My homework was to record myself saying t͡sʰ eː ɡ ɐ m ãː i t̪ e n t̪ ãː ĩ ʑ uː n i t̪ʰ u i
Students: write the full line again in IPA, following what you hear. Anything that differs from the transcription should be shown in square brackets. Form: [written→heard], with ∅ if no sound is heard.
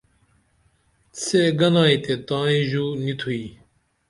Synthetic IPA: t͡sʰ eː ɡ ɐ [m→n] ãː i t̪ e [n→∅] t̪ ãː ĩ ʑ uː n i t̪ʰ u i